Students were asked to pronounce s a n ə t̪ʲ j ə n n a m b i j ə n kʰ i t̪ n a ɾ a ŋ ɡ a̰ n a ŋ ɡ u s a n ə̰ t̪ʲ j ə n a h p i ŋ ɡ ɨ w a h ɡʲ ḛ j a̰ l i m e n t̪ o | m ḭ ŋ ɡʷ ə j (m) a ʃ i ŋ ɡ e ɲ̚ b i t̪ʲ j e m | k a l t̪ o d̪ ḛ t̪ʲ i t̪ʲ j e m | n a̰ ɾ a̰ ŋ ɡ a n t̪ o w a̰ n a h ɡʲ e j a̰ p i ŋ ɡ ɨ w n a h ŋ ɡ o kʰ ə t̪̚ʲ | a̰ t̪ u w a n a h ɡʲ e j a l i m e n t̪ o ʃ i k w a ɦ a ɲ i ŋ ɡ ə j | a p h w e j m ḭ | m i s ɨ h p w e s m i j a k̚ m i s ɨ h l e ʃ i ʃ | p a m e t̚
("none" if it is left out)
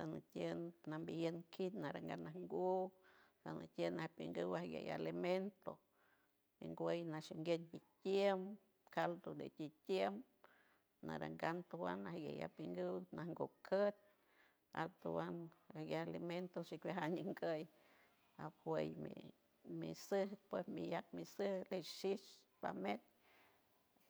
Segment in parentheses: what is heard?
n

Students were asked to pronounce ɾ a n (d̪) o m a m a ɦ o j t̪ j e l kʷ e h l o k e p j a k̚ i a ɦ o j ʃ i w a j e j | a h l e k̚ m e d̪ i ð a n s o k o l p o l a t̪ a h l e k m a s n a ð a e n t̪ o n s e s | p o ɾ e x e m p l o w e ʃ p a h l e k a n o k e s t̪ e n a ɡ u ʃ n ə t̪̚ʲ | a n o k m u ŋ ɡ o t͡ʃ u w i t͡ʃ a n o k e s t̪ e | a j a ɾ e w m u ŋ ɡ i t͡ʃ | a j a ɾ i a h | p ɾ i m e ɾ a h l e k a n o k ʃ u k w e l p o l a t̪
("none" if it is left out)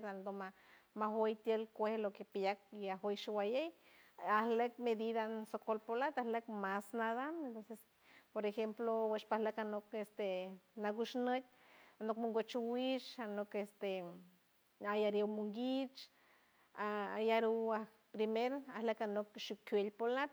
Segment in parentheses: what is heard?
d̪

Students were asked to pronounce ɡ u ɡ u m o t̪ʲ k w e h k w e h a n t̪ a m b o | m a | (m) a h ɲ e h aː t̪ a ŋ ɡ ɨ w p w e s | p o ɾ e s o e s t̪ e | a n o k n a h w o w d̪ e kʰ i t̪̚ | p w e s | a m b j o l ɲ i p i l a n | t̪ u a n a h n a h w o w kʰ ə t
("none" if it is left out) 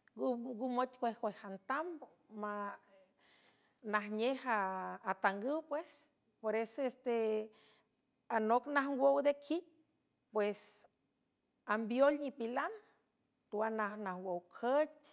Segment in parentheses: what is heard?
n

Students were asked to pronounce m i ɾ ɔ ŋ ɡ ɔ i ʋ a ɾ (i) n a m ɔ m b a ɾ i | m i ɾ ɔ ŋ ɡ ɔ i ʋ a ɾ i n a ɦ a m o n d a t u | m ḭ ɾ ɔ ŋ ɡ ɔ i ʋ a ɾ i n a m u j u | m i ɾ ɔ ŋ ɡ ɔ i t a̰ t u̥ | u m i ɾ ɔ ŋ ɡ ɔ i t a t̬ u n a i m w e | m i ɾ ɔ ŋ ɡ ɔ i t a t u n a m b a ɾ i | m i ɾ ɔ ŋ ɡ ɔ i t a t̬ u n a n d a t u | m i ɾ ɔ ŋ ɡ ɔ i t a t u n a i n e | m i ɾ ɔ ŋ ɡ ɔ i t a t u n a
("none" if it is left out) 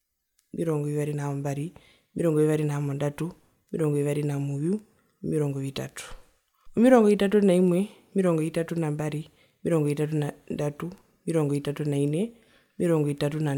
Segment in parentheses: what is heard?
i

